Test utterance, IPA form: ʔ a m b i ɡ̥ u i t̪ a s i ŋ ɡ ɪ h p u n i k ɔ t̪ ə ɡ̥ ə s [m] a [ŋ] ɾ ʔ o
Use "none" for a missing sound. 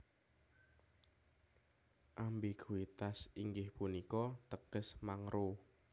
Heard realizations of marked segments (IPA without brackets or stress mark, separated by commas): m, ŋ